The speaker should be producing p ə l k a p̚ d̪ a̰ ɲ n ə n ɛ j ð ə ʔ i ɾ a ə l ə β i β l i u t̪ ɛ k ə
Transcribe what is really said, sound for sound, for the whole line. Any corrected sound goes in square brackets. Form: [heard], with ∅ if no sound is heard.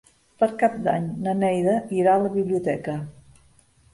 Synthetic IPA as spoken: p ə [ɾ] k a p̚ d̪ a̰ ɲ n ə n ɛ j ð ə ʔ i ɾ a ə l ə β i β l i u t̪ ɛ k ə